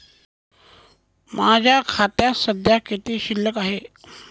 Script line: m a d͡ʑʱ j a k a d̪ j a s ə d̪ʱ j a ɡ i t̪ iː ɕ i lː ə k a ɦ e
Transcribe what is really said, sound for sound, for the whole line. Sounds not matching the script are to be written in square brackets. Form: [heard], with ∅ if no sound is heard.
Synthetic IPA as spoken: m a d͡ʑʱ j a [kʰ] a [t̪] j a s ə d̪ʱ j a [k] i t̪ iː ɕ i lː ə k a ɦ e